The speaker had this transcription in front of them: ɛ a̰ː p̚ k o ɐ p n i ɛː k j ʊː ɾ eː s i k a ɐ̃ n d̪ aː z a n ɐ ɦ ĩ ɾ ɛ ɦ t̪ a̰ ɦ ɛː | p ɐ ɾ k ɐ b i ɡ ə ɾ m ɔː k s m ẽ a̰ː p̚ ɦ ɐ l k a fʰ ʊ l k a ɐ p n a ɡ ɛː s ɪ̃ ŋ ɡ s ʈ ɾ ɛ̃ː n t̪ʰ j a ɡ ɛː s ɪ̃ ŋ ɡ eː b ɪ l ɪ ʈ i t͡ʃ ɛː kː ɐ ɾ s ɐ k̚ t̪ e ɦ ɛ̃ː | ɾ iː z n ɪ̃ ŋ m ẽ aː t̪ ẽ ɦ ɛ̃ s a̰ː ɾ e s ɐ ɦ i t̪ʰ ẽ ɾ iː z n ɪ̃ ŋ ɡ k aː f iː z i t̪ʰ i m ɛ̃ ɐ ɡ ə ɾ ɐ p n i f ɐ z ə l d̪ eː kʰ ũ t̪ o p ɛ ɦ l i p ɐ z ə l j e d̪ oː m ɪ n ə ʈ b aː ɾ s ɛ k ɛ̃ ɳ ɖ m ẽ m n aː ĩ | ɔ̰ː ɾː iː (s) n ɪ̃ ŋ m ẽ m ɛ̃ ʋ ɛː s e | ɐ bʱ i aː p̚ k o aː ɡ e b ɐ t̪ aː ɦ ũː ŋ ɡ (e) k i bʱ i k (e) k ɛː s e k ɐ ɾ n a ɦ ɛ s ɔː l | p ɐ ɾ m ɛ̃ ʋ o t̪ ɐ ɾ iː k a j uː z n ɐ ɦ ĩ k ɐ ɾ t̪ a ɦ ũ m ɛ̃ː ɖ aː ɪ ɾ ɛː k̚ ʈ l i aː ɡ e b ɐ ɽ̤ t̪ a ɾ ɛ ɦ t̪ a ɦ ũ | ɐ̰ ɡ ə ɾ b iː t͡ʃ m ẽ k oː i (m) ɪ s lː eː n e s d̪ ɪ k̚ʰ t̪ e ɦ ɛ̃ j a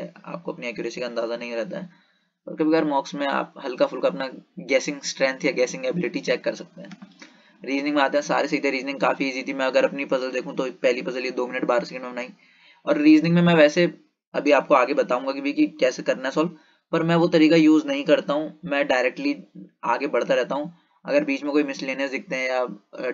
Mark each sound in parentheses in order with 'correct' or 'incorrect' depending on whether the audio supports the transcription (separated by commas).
incorrect, incorrect, incorrect, correct